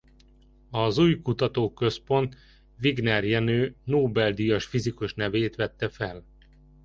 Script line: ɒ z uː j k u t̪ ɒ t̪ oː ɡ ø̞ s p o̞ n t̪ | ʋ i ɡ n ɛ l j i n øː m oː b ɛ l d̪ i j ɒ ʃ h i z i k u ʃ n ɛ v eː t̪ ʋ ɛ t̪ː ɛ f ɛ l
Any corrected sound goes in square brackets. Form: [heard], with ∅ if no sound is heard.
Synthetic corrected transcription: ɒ z uː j k u t̪ ɒ t̪ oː [k] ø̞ s p o̞ n t̪ | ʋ i ɡ n ɛ [r] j [ɛ] n øː [n] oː b ɛ l d̪ i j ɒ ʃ [f] i z i k u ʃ n ɛ v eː t̪ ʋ ɛ t̪ː ɛ f ɛ l